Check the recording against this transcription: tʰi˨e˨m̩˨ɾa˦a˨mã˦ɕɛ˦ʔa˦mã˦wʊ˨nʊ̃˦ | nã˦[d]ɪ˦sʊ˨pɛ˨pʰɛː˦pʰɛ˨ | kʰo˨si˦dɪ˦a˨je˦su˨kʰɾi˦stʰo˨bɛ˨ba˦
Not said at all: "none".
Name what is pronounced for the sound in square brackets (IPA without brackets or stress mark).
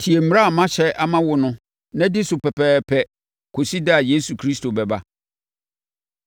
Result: d